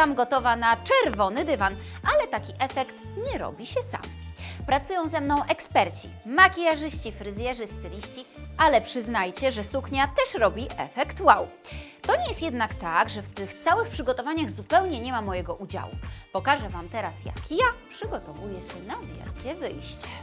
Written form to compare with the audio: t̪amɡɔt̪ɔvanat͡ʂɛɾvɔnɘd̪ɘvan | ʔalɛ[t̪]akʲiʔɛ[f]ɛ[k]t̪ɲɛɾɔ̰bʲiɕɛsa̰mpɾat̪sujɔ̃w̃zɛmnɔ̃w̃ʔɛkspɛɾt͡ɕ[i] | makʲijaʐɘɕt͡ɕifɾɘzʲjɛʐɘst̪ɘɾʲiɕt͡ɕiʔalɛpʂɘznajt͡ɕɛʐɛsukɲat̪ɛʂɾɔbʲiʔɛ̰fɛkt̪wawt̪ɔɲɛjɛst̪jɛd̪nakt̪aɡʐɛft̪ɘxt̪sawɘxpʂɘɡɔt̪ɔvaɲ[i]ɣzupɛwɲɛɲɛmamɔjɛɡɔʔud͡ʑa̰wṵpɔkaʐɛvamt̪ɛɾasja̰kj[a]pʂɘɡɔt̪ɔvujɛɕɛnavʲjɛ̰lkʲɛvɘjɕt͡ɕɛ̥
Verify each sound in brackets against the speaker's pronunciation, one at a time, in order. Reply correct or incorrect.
correct, correct, correct, correct, incorrect, correct

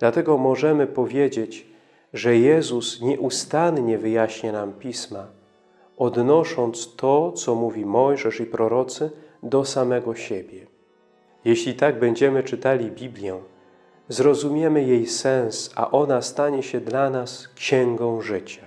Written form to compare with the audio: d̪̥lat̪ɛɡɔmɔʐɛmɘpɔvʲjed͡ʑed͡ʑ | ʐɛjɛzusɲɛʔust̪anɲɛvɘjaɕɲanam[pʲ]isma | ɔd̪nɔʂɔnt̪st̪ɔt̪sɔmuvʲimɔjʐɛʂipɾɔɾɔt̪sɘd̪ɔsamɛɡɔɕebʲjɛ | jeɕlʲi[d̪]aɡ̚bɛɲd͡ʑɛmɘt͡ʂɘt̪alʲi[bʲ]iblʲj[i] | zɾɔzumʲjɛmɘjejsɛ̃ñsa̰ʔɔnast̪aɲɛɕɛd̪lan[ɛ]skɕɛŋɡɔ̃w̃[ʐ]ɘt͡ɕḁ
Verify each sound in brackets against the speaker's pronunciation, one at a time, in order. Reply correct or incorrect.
correct, incorrect, correct, incorrect, incorrect, correct

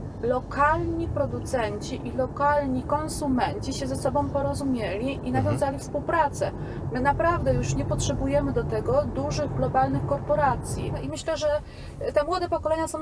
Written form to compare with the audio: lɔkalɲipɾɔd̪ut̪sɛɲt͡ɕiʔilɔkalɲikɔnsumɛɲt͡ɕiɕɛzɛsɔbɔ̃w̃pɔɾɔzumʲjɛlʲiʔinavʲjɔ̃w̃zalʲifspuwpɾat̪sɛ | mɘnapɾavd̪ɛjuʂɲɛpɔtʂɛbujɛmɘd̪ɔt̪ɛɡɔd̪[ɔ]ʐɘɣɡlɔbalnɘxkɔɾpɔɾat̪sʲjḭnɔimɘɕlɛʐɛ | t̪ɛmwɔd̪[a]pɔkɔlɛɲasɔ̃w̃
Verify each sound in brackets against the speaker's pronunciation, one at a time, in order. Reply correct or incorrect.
incorrect, incorrect

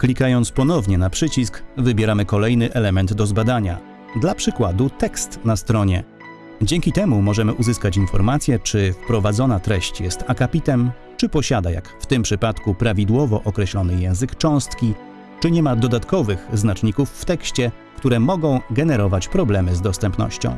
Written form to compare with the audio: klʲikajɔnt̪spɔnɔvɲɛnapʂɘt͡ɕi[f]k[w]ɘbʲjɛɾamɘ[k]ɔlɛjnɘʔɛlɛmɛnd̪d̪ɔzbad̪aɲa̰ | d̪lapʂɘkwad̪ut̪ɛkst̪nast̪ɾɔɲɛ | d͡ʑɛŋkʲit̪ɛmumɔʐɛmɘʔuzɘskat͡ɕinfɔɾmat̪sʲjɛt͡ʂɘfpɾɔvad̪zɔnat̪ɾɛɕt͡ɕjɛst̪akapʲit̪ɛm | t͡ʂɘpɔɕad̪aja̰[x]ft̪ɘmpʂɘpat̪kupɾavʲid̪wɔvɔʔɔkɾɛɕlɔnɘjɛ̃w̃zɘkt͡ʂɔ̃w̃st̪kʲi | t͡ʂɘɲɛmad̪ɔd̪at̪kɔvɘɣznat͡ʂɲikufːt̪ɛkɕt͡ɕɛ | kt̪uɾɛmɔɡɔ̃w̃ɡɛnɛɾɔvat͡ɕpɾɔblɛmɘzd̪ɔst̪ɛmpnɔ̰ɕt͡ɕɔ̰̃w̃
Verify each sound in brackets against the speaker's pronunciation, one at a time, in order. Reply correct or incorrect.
incorrect, incorrect, correct, incorrect

